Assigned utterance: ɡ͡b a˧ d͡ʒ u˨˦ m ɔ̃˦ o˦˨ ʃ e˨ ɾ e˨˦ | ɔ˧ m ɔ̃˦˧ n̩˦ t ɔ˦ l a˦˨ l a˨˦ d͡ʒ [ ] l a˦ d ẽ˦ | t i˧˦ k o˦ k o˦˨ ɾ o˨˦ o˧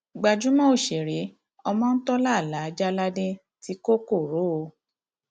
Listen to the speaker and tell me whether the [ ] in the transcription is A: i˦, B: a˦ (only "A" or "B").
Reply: B